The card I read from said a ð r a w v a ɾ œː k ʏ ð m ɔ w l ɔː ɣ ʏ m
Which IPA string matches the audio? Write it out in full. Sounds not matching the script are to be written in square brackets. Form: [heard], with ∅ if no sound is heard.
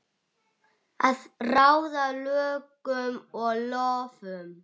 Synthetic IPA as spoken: a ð r a w [ð] a [l] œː k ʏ [∅] m ɔ [ɣ] l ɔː [v] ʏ m